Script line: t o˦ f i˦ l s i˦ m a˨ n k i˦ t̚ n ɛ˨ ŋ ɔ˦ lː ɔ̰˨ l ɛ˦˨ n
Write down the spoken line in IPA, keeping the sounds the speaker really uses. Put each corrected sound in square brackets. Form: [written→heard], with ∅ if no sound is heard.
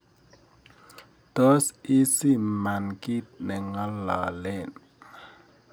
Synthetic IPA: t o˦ [f→s] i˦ [l→∅] s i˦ m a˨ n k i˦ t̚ n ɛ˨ ŋ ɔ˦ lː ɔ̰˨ l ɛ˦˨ n